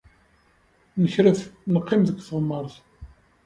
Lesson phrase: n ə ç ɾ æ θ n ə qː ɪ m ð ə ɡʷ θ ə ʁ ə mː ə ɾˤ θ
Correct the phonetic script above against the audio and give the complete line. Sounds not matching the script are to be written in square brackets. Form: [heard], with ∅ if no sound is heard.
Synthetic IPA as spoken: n ə ç ɾ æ θ n ə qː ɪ m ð ə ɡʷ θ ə ʁ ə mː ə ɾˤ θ